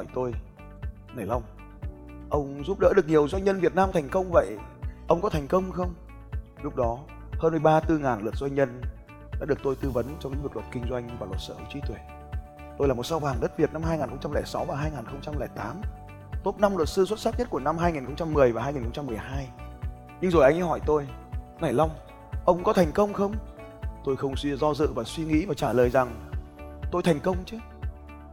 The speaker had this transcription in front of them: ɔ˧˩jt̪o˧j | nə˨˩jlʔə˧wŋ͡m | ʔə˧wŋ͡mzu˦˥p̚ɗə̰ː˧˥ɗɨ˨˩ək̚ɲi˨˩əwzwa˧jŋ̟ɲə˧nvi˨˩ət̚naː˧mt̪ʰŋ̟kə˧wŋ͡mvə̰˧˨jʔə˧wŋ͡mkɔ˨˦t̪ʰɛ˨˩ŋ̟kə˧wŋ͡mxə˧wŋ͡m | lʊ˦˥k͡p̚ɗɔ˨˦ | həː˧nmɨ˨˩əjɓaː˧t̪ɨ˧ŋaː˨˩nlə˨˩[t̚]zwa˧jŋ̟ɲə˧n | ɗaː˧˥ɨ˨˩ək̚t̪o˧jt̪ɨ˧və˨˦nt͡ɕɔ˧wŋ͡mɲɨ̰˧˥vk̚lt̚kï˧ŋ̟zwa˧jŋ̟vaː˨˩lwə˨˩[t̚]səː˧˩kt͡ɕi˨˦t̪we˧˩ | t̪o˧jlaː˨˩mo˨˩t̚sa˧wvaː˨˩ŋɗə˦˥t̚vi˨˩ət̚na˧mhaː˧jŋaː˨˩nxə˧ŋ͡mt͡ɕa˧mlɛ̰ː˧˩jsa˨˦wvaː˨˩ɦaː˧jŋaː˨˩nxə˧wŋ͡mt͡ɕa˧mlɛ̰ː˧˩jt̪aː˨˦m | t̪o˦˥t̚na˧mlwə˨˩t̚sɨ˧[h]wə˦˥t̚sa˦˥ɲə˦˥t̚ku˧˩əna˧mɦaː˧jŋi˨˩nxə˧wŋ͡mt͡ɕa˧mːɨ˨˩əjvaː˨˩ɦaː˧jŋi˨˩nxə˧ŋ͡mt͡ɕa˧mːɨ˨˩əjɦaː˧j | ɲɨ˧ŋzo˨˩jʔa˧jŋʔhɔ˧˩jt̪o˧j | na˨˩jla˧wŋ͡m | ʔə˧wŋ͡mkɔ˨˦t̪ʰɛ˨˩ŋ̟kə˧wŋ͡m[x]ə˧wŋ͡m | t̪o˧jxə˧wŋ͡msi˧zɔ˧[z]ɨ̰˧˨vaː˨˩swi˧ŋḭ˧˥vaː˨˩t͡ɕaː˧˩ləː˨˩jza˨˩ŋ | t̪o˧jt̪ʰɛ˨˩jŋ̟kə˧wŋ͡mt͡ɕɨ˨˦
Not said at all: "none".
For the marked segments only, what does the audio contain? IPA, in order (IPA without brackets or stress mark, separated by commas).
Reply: t̚, t̚, s, x, z